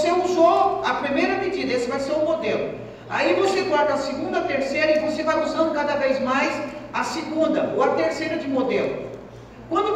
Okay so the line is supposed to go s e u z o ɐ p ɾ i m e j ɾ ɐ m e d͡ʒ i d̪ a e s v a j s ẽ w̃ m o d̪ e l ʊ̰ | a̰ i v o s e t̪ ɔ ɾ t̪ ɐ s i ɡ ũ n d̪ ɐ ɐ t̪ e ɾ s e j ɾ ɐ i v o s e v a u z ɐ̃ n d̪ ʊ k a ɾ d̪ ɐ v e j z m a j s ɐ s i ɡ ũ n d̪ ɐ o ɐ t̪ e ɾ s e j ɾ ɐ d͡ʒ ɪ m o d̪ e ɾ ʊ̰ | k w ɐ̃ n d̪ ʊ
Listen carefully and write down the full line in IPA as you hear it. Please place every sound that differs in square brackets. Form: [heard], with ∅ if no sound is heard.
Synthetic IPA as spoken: s e u z o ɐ p ɾ i m e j ɾ ɐ m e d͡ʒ i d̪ [ɐ] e s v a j s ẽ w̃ m o d̪ e l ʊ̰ | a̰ i v o s e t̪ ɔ ɾ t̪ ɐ s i ɡ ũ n d̪ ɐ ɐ t̪ e ɾ s e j ɾ ɐ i v o s e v a u z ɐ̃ n d̪ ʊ k a [∅] d̪ ɐ v e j z m a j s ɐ s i ɡ ũ n d̪ ɐ o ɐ t̪ e ɾ s e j ɾ ɐ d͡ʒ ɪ m o d̪ e [l] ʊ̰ | k w ɐ̃ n d̪ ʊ